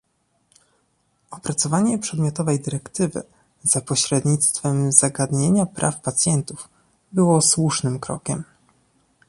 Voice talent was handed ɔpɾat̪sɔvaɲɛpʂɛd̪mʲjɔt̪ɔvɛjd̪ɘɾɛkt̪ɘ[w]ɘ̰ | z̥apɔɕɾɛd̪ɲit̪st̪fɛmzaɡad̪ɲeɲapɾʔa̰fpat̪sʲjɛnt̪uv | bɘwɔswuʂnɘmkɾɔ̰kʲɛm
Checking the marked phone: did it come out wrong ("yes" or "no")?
yes